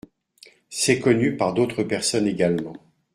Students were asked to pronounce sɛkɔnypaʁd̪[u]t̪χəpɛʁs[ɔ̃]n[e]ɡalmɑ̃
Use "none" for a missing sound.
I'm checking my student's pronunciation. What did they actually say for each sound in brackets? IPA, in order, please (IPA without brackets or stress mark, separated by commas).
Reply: o, ɔ, e